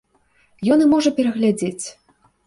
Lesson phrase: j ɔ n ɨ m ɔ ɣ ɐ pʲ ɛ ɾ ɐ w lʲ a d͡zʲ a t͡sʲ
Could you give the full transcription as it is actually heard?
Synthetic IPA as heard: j ɔ n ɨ m ɔ ʐ ɐ pʲ ɛ ɾ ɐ ɣ lʲ a d͡zʲ e t͡sʲ